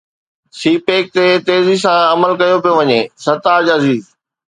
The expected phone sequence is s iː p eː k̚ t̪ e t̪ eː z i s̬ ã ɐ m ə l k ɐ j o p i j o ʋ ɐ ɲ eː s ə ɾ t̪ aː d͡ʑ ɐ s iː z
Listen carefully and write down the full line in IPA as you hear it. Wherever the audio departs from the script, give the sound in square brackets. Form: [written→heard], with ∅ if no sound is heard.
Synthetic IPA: s iː p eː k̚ t̪ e t̪ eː z i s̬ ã ɐ m ə l k ɐ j o p i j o ʋ ɐ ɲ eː s [ə→ɐ] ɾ t̪ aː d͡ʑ ɐ [s→z] iː z